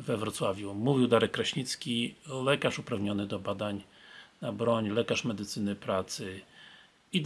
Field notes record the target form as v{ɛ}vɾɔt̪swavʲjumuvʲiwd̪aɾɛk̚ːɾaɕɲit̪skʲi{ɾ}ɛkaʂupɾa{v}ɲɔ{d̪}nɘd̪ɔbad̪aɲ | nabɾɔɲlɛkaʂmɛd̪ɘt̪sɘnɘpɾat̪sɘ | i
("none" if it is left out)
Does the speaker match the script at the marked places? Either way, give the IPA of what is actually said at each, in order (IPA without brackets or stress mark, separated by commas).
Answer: ɛ, l, v, none